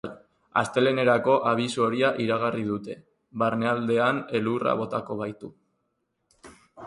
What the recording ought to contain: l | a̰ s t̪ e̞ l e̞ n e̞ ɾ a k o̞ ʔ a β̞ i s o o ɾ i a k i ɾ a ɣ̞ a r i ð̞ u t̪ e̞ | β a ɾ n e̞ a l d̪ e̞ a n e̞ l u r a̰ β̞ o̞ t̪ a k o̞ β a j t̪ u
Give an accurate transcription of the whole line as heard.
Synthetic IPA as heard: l | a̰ s t̪ e̞ l e̞ n e̞ ɾ a k o̞ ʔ a β̞ i s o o ɾ i a ʔ i ɾ a ɣ̞ a r i ð̞ u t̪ e̞ | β a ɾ n e̞ a l d̪ e̞ a n e̞ l u r a̰ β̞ o̞ t̪ a k o̞ β a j t̪ u

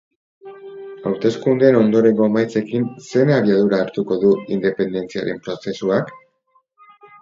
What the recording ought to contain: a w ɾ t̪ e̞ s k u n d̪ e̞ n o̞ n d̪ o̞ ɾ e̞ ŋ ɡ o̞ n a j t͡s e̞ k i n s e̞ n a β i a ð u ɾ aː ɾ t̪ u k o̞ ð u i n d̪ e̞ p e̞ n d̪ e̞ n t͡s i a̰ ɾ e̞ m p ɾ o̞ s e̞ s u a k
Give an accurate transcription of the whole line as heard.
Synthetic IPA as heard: a w ɾ t̪ e̞ s k u n d̪ e̞ n o̞ n d̪ o̞ ɾ e̞ ŋ ɡ o̞ m a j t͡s e̞ k i n s e̞ n a β i a ð u ɾ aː ɾ t̪ u k o̞ ð u i n d̪ e̞ p e̞ n d̪ e̞ n t͡s i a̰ ɾ e̞ m p ɾ o̞ s e̞ s u a k

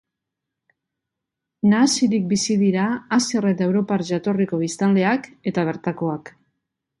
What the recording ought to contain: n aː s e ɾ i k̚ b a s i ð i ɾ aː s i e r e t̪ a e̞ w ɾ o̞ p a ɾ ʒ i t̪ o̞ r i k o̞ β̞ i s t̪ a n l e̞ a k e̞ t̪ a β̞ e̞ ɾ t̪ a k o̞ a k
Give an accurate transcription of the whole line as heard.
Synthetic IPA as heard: n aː s i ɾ i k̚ b i s i ð i ɾ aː s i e r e t̪ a e̞ w ɾ o̞ p a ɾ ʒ a t̪ o̞ r i k o̞ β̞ i s t̪ a n l e̞ a k e̞ t̪ a β̞ e̞ ɾ t̪ a k o̞ a k

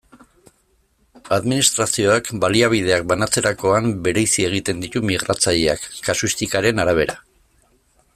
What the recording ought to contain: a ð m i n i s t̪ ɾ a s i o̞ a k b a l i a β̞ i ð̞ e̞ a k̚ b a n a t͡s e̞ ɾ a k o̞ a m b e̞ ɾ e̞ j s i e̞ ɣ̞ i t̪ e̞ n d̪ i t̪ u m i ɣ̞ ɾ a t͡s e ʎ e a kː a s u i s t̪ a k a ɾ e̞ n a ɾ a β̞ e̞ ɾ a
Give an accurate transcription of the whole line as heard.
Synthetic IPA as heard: a ð m i n i s t̪ ɾ a s i o̞ a k b a l i a β̞ i ð̞ e̞ a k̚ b a n a t͡s e̞ ɾ a k o̞ a m b e̞ ɾ e̞ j s i e̞ ɣ̞ i t̪ e̞ n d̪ i t̪ u m i ɣ̞ ɾ a t͡s a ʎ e a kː a s u i s t̪ i k a ɾ e̞ n a ɾ a β̞ e̞ ɾ a

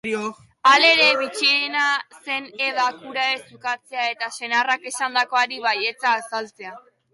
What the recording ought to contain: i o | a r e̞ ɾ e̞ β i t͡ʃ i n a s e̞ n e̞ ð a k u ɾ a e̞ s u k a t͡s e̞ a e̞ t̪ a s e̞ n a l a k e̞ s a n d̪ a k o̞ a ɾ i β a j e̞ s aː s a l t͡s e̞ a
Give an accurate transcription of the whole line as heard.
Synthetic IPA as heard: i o | a l e̞ ɾ e̞ β i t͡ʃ i n a s e̞ n e̞ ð a k u ɾ a e̞ s u k a t͡s e̞ a e̞ t̪ a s e̞ n a r a k e̞ s a n d̪ a k o̞ a ɾ i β a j e̞ t͡s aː s a l t͡s e̞ a

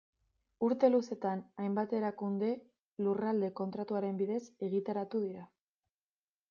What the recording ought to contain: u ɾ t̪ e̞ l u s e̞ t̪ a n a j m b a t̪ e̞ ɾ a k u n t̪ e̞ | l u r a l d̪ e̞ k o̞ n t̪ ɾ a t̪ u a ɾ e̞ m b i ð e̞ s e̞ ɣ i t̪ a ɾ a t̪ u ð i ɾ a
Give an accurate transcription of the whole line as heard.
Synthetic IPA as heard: u ɾ t̪ e̞ l u s e̞ t̪ a n a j m b a t̪ e̞ ɾ a k u n d̪ e̞ | l u r a l d̪ e̞ k o̞ n t̪ ɾ a t̪ u a ɾ e̞ m b i ð e̞ s e̞ ɣ i t̪ a ɾ a t̪ u ð i ɾ a

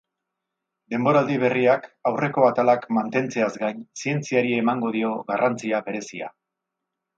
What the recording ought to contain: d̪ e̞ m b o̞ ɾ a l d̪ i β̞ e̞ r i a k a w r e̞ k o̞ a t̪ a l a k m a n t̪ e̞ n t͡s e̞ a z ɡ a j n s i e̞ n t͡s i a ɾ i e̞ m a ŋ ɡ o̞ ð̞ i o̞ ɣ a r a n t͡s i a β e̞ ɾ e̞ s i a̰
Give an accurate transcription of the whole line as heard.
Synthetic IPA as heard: d̪ e̞ m b o̞ ɾ a l d̪ i β̞ e̞ r i a k a w r e̞ k o̞ a t̪ a l a k m a n t̪ e̞ n t͡s e̞ a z ɡ a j n s i e̞ n t͡s i a ɾ i e̞ m a ŋ ɡ o̞ ð̞ i o̞ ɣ a r a n t͡s i a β e̞ ɾ e̞ s i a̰

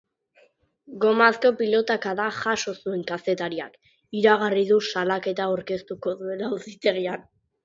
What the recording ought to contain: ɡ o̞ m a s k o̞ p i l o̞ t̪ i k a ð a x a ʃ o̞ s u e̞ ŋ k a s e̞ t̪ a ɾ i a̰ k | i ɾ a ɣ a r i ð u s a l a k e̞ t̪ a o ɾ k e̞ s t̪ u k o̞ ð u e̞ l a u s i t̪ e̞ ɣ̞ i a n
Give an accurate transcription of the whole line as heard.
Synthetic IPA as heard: ɡ o̞ m a s k o̞ p i l o̞ t̪ a k a ð a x a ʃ o̞ s u e̞ ŋ k a s e̞ t̪ a ɾ i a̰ k | i ɾ a ɣ a r i ð u s a l a k e̞ t̪ a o ɾ k e̞ s t̪ u k o̞ ð u e̞ l a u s i t̪ e̞ ɣ̞ i a n

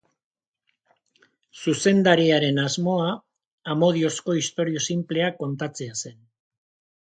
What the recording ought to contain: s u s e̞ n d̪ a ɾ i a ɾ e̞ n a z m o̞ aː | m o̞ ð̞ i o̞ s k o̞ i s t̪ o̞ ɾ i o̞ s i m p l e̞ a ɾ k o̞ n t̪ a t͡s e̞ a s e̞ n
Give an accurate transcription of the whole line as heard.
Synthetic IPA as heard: s u s e̞ n d̪ a ɾ i a ɾ e̞ n a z m o̞ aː | m o̞ ð̞ i o̞ s k o̞ i s t̪ o̞ ɾ i o̞ s i m p l e̞ a k o̞ n t̪ a t͡s e̞ a s e̞ n

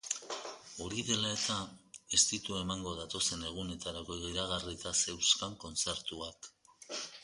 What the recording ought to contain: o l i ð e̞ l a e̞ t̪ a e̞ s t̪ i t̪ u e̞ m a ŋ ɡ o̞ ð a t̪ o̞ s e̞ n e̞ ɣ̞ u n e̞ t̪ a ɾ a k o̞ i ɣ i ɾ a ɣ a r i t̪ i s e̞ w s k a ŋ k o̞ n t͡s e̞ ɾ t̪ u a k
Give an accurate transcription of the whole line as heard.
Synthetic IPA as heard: o ɾ i ð e̞ l a e̞ t̪ a e̞ s t̪ i t̪ u e̞ m a ŋ ɡ o̞ ð a t̪ o̞ s e̞ n e̞ ɣ̞ u n e̞ t̪ a ɾ a k o̞ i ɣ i ɾ a ɣ a r i t̪ a s e̞ w s k a ŋ k o̞ n t͡s e̞ ɾ t̪ u a k

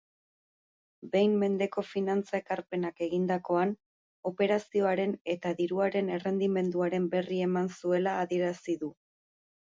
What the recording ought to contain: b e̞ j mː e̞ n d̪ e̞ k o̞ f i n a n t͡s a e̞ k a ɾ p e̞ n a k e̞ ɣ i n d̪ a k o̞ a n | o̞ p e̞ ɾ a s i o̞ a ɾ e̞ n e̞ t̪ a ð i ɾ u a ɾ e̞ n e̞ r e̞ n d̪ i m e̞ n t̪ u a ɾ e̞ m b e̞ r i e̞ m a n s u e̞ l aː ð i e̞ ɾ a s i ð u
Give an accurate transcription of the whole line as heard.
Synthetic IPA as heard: b e̞ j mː e̞ n d̪ e̞ k o̞ f i n a n t͡s a e̞ k a ɾ p e̞ n a k e̞ ɣ i n d̪ a k o̞ a n | o̞ p e̞ ɾ a s i o̞ a ɾ e̞ n e̞ t̪ a ð i ɾ u a ɾ e̞ n e̞ r e̞ n d̪ i m e̞ n d̪ u a ɾ e̞ m b e̞ r i e̞ m a n s u e̞ l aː ð i e̞ ɾ a s i ð u

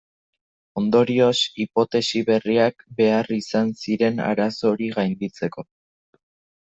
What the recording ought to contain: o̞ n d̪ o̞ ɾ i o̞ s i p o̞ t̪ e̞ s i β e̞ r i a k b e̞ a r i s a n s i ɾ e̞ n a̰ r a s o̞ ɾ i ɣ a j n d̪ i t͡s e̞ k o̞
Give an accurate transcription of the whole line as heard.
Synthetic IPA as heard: o̞ n d̪ o̞ ɾ i o̞ s i p o̞ t̪ e̞ s i β e̞ r i a k b e̞ a r i s a n s i ɾ e̞ n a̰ ɾ a s o̞ ɾ i ɣ a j n d̪ i t͡s e̞ k o̞

